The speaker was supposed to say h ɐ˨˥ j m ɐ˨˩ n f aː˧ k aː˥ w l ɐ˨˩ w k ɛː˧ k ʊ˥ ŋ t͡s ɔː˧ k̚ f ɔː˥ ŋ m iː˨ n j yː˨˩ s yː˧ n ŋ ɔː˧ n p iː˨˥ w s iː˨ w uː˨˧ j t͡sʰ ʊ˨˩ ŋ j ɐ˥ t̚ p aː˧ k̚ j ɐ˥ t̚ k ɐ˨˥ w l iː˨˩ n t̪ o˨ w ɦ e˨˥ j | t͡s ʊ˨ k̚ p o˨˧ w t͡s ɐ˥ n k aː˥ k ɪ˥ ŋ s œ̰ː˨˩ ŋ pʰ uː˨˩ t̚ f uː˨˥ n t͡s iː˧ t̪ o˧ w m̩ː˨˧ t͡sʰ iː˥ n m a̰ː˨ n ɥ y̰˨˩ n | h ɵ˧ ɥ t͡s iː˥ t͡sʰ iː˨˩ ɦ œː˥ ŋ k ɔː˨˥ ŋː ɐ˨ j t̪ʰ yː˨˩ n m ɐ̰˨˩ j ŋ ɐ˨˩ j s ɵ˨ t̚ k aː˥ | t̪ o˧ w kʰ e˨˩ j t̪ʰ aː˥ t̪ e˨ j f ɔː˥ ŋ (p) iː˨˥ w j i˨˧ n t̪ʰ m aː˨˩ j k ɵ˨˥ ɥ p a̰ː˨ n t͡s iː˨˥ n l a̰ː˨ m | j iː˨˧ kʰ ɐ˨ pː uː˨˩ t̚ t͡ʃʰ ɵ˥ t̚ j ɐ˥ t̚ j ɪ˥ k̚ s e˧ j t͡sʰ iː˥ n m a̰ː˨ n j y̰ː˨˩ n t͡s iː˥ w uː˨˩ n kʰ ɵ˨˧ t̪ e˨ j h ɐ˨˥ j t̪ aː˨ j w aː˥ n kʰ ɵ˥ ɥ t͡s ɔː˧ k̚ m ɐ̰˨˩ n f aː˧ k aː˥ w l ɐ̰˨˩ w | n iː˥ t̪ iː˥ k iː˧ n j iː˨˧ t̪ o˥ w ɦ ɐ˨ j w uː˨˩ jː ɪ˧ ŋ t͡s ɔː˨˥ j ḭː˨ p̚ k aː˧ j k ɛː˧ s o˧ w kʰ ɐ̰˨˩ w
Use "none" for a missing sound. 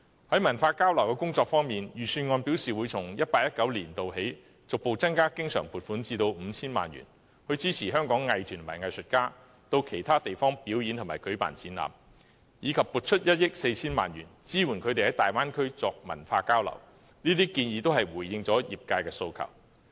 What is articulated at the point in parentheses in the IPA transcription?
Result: p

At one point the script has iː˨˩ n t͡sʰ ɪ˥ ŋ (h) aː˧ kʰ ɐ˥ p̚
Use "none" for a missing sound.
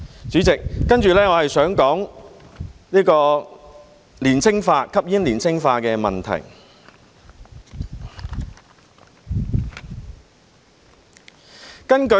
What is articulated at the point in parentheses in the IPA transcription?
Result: f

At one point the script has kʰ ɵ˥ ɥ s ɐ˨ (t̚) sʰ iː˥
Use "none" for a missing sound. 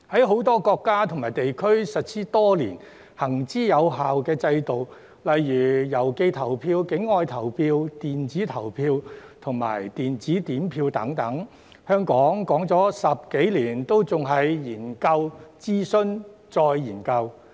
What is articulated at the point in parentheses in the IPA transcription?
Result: t̚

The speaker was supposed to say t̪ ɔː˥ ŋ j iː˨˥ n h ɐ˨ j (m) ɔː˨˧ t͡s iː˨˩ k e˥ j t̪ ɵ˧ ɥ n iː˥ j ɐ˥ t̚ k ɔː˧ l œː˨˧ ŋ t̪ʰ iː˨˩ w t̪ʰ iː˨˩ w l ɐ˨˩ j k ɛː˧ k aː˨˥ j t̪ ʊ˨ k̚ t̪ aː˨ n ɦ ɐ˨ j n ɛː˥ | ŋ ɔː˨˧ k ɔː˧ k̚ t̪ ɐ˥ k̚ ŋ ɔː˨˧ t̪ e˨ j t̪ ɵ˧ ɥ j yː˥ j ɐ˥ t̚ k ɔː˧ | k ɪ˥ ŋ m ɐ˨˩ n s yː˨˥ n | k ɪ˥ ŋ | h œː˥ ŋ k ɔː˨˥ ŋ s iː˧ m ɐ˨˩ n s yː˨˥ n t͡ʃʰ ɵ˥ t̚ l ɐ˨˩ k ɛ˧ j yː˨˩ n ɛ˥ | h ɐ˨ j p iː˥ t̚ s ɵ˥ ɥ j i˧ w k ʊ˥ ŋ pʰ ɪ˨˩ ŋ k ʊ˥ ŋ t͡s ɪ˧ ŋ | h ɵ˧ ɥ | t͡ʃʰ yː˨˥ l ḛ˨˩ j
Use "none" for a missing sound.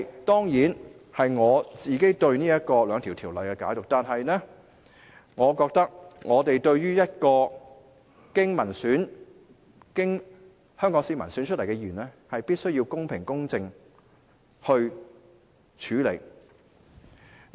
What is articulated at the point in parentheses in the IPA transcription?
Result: ŋ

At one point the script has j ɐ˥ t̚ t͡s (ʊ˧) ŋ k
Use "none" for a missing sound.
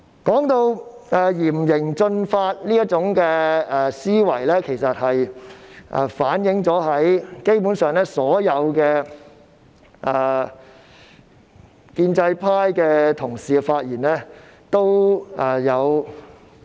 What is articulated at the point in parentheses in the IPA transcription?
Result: ʊ˨˥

